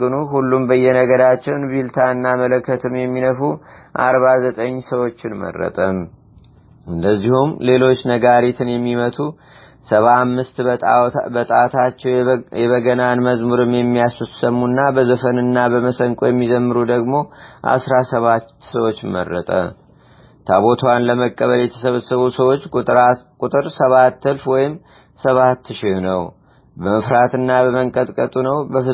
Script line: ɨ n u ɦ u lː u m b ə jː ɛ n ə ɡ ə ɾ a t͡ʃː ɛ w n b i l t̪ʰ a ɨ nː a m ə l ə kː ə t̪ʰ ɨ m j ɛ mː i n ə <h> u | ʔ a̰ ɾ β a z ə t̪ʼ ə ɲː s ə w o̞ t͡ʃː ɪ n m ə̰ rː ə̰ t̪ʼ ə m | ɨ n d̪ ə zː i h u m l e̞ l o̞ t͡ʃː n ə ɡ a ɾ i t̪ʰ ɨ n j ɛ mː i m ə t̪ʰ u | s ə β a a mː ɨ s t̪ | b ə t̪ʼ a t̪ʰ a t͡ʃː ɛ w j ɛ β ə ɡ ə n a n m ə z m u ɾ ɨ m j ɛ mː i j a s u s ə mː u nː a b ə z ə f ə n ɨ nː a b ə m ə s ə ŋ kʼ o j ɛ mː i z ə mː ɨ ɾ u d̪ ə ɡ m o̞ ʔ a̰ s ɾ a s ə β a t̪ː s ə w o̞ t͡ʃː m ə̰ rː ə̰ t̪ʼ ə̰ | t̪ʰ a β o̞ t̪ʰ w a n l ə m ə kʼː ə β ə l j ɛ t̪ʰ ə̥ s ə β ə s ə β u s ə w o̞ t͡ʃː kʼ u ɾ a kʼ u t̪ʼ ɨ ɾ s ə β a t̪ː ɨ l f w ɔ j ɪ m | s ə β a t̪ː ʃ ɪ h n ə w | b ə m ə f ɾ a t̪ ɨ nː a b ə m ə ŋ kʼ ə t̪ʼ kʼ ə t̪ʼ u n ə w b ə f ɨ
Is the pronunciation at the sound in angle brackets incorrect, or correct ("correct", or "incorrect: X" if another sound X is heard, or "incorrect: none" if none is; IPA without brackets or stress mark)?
incorrect: f